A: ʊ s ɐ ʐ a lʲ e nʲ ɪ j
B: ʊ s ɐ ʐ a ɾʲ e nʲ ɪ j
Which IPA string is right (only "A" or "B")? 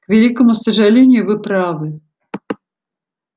A